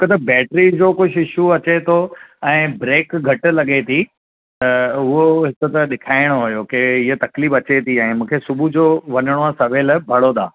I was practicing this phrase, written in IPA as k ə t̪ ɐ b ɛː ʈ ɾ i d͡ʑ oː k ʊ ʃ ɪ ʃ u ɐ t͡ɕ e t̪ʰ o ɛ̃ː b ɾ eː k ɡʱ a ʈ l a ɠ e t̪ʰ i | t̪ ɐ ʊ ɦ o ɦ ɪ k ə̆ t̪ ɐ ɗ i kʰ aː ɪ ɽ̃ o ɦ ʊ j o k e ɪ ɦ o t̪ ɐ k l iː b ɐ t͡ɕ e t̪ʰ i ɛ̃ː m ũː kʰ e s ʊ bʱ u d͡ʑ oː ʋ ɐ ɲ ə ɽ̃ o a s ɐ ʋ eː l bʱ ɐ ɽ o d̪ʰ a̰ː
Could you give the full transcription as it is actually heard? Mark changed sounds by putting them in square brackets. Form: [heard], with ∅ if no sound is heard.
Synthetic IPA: k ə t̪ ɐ b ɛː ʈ ɾ i d͡ʑ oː k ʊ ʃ ɪ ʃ u ɐ t͡ɕ e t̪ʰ o ɛ̃ː b ɾ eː k ɡʱ [ɐ] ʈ l [ɐ] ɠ e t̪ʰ i | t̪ ɐ ʊ ɦ o ɦ ɪ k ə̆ t̪ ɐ ɗ [ɪ] kʰ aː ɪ ɽ̃ o ɦ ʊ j o k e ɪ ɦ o t̪ ɐ k l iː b ɐ t͡ɕ e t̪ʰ i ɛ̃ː m ũː kʰ e s ʊ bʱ u d͡ʑ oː ʋ ɐ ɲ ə ɽ̃ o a s ɐ ʋ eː l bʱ ɐ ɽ o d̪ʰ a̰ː